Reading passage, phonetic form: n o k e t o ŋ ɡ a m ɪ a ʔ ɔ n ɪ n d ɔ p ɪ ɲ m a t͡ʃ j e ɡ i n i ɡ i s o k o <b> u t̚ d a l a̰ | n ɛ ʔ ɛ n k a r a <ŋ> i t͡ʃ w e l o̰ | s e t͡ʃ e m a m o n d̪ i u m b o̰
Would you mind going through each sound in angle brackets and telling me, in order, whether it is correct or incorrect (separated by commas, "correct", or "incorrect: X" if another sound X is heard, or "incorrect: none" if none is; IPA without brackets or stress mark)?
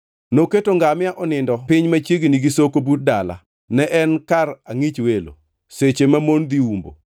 correct, correct